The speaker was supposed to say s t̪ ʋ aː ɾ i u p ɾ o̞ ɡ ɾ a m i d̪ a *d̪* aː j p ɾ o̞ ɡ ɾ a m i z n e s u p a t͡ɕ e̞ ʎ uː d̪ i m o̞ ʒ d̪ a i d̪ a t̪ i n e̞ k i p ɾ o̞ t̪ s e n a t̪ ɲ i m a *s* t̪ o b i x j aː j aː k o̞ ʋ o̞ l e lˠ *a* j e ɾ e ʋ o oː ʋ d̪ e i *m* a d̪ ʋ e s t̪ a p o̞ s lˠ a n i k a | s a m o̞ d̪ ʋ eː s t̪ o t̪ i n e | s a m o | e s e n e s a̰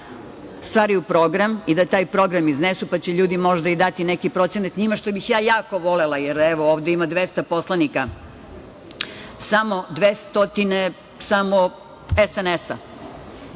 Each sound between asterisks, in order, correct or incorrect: incorrect, incorrect, correct, correct

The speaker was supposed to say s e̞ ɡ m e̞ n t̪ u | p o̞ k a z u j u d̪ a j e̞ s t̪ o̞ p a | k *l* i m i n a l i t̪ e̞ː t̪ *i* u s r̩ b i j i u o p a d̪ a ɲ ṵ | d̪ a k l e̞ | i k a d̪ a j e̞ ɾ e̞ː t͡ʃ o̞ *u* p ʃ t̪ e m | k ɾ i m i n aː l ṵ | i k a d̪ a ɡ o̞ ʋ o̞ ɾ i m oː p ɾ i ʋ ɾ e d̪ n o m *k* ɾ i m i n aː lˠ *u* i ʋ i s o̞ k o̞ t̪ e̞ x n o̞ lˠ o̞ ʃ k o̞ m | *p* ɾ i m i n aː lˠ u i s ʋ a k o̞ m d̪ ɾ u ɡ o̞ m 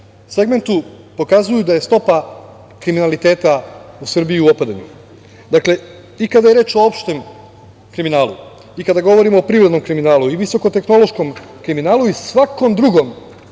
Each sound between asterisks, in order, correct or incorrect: incorrect, incorrect, incorrect, correct, correct, incorrect

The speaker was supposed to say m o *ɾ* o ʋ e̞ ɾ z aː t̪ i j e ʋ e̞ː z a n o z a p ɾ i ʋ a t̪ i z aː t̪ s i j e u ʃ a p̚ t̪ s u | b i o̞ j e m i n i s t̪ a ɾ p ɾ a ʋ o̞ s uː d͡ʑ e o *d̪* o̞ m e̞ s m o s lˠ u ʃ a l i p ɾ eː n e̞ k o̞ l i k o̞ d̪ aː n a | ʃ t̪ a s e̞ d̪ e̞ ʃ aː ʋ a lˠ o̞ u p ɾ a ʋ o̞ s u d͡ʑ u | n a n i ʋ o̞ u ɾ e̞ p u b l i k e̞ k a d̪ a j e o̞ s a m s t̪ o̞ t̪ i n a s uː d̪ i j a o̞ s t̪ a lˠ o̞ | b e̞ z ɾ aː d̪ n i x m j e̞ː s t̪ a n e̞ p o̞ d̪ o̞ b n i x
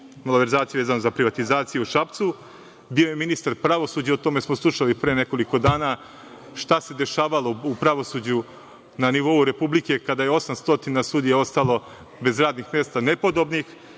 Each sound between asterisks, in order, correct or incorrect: incorrect, incorrect

